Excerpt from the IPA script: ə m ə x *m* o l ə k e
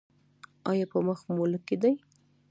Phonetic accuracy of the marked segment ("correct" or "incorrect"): correct